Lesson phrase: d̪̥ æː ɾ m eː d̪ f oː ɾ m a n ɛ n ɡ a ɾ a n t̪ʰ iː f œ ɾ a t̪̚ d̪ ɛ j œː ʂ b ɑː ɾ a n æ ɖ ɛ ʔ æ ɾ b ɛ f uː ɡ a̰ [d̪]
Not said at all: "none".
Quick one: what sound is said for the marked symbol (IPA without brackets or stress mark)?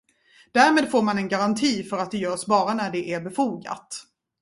t̪